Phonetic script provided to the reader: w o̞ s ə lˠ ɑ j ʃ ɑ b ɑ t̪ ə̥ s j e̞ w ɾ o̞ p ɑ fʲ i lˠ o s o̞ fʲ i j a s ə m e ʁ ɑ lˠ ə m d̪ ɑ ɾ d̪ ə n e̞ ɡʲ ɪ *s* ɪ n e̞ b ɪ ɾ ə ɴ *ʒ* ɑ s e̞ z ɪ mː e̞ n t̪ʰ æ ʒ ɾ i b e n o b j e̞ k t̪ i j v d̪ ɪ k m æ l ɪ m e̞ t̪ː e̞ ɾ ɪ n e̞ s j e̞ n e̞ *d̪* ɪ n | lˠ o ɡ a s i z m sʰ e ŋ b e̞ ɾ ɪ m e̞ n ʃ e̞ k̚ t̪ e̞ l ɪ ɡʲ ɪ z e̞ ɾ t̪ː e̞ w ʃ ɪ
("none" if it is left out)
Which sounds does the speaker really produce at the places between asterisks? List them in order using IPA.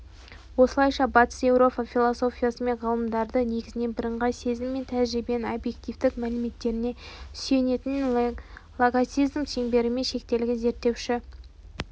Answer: z, ʁ, t̪

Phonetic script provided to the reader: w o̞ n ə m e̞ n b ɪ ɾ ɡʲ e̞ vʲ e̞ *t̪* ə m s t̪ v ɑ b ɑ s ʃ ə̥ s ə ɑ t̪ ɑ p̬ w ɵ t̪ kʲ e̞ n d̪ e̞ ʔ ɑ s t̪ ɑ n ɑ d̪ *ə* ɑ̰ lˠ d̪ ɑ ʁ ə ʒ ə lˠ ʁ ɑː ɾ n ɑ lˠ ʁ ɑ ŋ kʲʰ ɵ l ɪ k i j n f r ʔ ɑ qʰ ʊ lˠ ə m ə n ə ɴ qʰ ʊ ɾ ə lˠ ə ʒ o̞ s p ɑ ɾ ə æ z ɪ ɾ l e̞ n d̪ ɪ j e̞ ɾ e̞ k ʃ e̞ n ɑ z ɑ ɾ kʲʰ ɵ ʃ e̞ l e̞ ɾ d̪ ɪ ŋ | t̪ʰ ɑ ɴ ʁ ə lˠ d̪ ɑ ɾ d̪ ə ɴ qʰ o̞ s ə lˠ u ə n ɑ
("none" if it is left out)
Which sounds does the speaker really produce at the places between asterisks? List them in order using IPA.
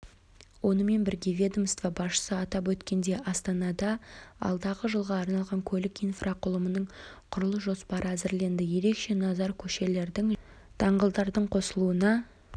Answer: d̪, ɑ

